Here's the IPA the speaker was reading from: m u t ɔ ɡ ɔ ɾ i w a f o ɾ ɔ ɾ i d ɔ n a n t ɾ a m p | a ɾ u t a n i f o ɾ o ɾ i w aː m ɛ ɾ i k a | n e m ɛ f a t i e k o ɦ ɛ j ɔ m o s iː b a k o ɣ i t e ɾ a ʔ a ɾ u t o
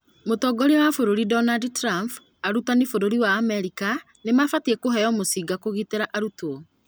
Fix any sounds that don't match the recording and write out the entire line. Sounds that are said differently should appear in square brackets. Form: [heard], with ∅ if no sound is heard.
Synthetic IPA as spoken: m [o] t ɔ ɡ ɔ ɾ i w a f o ɾ [o] ɾ i d ɔ n a [d] t ɾ a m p | a ɾ u t a n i f o ɾ o ɾ i w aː m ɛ ɾ i k a | n e m [a] f a t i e k o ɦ ɛ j ɔ m o s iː [ɡ] a k o ɣ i t e ɾ a ʔ a ɾ u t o